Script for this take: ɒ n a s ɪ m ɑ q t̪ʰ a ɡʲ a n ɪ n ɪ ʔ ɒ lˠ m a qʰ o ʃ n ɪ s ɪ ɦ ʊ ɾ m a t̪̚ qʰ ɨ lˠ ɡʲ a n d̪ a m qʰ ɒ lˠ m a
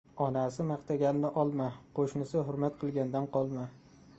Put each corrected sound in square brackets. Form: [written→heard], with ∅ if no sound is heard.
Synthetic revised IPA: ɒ n a s ɪ m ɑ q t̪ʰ a ɡʲ a n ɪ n ɪ ʔ ɒ lˠ m a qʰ o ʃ n ɪ s ɪ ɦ ʊ ɾ m a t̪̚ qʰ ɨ lˠ ɡʲ a n d̪ a [m→n] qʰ ɒ lˠ m a